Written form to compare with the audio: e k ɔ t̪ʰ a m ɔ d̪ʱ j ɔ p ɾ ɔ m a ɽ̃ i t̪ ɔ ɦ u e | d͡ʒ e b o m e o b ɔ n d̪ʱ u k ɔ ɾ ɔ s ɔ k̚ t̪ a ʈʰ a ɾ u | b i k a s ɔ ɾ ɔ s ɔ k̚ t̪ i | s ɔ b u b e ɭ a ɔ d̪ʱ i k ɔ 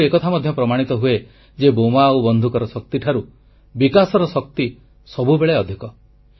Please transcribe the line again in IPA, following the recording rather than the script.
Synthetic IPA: e k ɔ t̪ʰ a m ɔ d̪ʱ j ɔ p ɾ ɔ m a ɽ̃ i t̪ ɔ ɦ u e | d͡ʒ e b o m a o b ɔ n d̪ʱ u k ɔ ɾ ɔ s ɔ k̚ t̪ i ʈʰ a ɾ u | b i k a s ɔ ɾ ɔ s ɔ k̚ t̪ i | s ɔ b u b e ɭ e ɔ d̪ʱ i k ɔ